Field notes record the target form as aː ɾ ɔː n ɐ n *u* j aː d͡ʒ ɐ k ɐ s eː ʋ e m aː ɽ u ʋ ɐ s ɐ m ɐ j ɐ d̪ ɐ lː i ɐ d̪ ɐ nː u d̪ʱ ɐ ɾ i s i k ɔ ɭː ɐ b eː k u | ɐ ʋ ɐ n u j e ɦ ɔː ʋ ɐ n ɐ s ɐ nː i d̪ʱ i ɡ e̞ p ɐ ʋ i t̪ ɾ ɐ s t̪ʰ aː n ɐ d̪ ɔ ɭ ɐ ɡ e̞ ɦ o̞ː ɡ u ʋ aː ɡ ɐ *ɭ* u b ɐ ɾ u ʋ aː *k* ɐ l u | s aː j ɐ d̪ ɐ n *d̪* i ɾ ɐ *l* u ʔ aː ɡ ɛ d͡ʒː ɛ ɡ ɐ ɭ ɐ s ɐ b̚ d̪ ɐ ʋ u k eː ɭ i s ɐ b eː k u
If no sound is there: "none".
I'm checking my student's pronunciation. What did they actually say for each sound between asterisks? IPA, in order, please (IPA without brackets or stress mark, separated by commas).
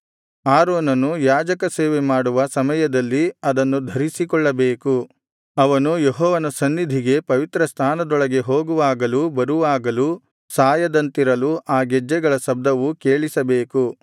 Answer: u, l, ɡ, t̪, l